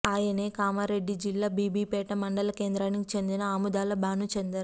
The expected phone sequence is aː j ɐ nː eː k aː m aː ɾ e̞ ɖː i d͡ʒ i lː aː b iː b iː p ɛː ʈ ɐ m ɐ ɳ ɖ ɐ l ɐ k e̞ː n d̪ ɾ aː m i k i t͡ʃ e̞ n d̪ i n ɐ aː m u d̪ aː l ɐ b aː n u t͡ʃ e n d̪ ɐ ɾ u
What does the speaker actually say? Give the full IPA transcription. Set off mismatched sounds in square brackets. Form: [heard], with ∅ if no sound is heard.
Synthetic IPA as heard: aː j ɐ [n] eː k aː m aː ɾ e̞ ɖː i d͡ʒ i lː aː b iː b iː p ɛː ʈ ɐ m ɐ ɳ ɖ ɐ l ɐ k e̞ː n d̪ ɾ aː [n] i k i t͡ʃ e̞ n d̪ i n ɐ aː m u d̪ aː l ɐ b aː n u t͡ʃ e n d̪ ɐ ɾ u